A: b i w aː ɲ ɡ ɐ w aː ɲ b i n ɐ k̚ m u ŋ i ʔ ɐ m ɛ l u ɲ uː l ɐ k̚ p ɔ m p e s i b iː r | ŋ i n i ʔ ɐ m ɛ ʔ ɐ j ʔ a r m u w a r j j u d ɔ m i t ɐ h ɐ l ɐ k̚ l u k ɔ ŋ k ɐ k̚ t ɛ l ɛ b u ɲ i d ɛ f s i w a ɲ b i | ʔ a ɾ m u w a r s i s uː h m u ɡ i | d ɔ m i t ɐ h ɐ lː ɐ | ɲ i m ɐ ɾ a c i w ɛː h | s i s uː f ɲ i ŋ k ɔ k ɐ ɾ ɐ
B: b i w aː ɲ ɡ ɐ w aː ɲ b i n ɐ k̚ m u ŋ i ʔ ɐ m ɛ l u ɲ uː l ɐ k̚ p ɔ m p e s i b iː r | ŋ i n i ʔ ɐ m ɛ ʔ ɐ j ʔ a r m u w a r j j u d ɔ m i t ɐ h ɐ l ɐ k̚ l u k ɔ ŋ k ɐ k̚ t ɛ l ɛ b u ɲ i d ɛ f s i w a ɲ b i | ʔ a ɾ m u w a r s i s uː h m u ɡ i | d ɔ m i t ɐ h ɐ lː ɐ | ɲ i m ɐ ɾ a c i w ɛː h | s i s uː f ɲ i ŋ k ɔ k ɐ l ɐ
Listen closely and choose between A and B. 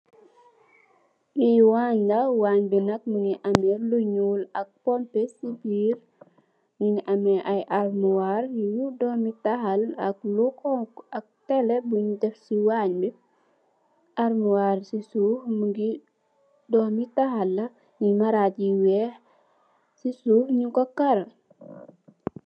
A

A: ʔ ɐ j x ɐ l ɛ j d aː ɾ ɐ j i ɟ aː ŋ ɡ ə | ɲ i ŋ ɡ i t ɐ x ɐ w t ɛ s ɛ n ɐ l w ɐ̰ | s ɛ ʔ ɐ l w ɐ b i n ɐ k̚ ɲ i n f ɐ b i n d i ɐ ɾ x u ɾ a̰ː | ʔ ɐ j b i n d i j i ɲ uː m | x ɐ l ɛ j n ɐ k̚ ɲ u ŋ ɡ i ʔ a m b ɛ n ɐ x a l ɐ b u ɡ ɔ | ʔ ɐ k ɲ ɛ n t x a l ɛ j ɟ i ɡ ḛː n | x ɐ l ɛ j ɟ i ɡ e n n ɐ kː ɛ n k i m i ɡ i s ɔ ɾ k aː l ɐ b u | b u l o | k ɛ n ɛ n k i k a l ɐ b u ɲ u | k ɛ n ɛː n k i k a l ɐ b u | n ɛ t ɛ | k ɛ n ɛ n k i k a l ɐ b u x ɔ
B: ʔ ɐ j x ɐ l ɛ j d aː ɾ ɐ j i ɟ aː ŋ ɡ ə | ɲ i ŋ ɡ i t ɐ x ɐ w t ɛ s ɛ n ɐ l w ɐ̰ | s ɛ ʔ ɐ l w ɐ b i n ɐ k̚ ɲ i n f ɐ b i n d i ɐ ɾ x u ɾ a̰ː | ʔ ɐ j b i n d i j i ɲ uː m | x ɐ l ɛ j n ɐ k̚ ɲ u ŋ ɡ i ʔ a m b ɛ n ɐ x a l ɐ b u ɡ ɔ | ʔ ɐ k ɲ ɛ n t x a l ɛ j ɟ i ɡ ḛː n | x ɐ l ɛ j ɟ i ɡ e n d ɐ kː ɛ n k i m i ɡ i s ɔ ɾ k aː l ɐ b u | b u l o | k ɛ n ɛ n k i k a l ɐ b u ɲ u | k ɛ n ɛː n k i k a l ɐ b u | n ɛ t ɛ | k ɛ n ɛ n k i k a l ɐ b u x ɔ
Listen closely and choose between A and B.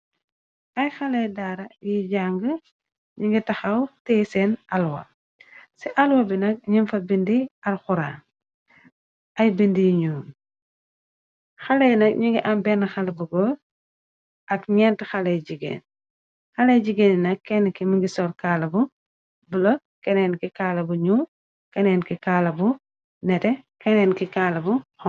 A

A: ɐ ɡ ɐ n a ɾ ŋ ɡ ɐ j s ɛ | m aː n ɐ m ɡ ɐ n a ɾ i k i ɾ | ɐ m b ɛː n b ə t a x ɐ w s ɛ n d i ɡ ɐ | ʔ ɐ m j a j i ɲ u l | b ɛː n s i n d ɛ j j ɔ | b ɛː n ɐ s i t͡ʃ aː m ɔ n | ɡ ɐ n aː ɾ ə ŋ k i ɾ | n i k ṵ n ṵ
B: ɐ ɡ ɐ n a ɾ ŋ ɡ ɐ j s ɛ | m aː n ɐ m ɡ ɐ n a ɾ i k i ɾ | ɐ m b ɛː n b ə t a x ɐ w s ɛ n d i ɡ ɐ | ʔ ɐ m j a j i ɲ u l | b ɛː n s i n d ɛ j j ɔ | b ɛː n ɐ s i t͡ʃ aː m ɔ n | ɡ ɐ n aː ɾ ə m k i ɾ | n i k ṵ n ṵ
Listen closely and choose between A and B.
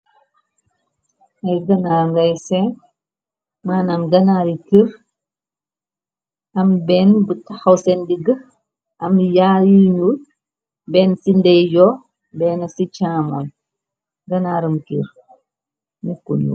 B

